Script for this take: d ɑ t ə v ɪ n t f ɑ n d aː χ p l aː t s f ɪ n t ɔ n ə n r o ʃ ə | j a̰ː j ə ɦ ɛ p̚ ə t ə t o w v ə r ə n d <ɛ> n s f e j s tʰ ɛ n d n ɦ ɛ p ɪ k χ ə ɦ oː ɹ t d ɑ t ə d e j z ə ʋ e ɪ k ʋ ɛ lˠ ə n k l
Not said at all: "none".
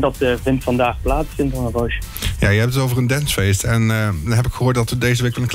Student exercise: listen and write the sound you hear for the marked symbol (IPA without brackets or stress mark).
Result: ɛ